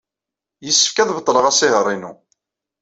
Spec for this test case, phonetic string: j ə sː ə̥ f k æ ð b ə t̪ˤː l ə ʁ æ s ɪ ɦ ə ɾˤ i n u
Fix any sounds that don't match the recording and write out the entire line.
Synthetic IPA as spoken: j ə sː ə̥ f k æ ð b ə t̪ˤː l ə ʁ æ s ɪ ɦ ə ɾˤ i n u